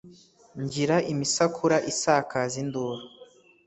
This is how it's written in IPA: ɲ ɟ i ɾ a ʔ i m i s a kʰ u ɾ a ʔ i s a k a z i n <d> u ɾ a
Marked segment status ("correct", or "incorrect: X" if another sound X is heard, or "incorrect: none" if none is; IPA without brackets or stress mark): correct